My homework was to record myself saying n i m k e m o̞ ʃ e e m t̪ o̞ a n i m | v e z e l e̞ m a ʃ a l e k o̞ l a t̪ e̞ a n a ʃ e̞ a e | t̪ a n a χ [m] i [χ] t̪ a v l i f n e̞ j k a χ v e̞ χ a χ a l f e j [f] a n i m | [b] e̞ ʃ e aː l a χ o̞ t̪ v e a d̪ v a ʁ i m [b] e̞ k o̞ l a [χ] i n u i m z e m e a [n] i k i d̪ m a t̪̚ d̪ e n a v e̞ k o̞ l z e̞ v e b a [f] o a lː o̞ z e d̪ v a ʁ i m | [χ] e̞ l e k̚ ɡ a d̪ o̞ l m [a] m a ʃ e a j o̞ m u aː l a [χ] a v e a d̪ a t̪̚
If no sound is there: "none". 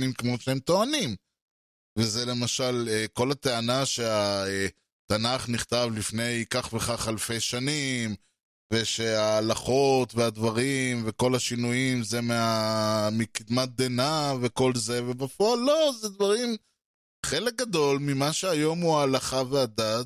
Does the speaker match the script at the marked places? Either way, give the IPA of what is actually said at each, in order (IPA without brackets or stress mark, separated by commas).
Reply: n, χ, ʃ, v, v, ʃ, m, f, χ, i, χ